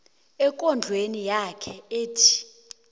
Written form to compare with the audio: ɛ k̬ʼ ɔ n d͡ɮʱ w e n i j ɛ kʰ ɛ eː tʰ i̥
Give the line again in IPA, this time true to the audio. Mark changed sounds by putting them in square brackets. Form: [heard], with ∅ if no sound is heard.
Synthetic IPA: ɛ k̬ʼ ɔ n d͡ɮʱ w e n i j [a] kʰ ɛ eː tʰ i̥